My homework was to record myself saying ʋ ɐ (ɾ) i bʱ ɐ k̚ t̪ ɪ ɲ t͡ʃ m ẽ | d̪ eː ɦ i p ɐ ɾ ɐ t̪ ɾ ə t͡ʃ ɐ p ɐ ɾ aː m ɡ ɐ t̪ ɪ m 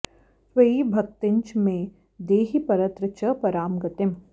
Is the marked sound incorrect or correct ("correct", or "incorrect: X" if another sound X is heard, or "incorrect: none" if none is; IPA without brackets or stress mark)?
incorrect: none